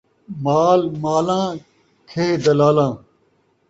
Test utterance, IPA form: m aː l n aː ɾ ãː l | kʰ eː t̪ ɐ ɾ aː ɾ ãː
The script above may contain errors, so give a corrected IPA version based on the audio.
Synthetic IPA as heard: m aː l m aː l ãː | kʰ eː d̪ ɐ l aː l ãː